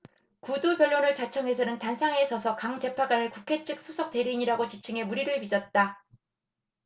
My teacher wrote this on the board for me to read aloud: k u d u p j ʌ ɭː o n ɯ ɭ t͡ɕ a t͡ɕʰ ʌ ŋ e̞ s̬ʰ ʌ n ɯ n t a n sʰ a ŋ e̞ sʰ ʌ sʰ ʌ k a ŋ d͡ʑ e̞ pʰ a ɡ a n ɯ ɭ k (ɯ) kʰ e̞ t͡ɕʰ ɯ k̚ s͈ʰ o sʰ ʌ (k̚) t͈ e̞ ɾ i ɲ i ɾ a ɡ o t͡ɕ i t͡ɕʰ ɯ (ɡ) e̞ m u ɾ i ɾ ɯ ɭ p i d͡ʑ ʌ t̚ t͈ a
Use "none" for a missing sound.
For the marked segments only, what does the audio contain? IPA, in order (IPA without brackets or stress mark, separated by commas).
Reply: u, k̚, ŋ